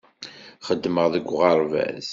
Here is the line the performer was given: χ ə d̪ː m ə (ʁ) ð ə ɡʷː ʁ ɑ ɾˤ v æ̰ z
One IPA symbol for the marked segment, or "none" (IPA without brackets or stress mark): ʁ